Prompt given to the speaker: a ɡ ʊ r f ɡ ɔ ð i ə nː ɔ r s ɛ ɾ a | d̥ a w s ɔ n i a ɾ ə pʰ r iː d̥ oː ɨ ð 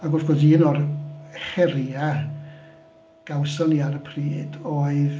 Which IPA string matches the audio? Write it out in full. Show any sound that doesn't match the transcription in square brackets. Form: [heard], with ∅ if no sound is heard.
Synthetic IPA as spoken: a ɡ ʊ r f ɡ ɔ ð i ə [n] ɔ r [χ] ɛ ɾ a | [ɡ̥] a w s ɔ n i a ɾ ə pʰ r iː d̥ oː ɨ ð